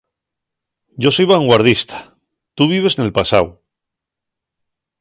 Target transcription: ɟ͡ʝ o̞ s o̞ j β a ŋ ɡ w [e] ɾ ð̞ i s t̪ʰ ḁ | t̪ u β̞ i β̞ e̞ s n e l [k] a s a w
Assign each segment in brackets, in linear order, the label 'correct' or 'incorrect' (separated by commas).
incorrect, incorrect